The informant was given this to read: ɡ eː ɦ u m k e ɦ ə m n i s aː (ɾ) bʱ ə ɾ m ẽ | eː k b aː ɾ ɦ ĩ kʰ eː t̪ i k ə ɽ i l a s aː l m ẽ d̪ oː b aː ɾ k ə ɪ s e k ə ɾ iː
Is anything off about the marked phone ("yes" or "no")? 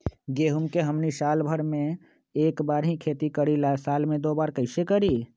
yes